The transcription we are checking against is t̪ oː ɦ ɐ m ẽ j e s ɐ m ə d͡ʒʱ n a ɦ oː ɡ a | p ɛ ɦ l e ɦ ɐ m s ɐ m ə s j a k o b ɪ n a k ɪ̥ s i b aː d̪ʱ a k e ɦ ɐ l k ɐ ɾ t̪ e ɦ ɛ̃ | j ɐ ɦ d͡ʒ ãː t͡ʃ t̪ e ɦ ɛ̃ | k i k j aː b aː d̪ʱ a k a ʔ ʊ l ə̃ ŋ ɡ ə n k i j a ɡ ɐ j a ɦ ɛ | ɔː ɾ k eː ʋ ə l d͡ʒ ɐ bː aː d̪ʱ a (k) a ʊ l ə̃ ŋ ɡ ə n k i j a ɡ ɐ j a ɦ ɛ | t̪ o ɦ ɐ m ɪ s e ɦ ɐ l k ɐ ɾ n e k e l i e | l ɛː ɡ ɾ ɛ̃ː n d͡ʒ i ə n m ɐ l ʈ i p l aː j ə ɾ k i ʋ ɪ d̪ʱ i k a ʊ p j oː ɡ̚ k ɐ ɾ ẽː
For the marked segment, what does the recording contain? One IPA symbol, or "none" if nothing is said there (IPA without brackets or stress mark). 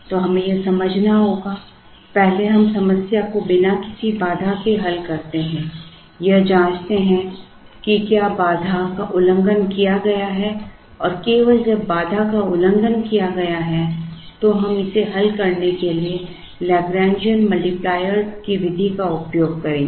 k